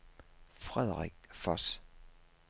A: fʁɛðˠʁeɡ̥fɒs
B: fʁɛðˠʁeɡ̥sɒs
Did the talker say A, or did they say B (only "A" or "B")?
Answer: A